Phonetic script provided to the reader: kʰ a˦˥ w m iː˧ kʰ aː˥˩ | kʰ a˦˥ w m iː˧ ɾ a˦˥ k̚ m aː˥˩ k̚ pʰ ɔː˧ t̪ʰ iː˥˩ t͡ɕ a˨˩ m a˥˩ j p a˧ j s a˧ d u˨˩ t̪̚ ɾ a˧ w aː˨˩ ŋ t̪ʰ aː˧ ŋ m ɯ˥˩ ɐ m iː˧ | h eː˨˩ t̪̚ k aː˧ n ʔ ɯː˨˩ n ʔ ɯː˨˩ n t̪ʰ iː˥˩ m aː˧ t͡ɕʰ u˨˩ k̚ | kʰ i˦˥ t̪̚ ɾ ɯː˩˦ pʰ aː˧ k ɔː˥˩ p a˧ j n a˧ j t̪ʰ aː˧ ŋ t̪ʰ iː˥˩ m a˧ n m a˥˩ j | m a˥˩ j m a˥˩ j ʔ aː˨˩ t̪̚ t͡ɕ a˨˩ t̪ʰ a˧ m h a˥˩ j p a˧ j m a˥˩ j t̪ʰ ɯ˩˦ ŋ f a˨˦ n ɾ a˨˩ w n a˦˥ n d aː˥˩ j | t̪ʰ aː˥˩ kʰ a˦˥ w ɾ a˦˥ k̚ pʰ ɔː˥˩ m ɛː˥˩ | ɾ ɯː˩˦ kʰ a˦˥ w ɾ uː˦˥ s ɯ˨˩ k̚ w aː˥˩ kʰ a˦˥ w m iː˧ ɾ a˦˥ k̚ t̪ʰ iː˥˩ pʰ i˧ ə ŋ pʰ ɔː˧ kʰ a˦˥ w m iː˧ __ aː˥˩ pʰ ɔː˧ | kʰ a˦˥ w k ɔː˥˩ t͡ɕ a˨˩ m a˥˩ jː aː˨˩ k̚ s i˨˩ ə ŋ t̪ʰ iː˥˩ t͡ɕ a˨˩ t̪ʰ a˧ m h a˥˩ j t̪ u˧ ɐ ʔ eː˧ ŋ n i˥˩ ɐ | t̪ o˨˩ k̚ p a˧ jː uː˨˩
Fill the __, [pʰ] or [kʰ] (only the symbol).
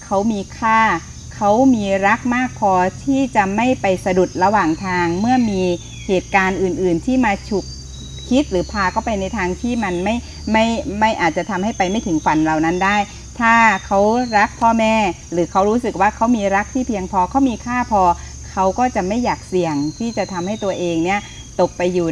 kʰ